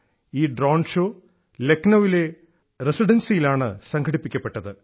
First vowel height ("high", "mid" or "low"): high